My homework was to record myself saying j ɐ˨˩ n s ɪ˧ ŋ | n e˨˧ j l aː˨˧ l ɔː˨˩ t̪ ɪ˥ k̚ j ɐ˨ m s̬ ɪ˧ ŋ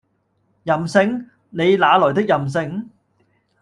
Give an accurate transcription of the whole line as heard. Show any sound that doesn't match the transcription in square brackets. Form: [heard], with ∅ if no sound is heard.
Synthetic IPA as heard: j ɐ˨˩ [m] s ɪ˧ ŋ | n e˨˧ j l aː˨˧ l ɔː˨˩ t̪ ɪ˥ k̚ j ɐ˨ m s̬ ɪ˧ ŋ